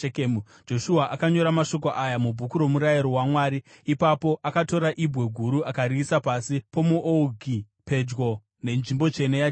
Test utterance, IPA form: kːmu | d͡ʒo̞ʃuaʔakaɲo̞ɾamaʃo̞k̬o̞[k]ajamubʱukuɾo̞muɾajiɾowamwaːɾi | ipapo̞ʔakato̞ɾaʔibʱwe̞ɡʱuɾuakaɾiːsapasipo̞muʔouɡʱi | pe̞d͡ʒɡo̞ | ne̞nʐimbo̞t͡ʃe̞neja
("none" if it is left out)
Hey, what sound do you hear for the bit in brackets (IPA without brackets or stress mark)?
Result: ʔ